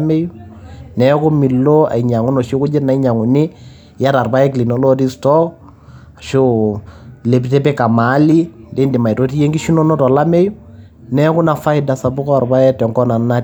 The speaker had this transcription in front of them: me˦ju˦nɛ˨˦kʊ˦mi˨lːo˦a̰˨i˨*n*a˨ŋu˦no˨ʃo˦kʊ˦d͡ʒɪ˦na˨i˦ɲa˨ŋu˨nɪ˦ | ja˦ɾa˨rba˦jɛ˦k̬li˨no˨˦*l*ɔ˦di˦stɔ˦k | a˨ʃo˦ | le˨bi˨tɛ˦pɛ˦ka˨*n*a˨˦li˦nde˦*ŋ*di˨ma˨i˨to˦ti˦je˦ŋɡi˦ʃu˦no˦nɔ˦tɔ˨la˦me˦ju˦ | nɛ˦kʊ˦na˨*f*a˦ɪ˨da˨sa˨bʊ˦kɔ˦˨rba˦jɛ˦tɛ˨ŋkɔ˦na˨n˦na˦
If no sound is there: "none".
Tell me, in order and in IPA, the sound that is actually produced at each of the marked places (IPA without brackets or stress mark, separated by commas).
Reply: ɲ, l, m, n, f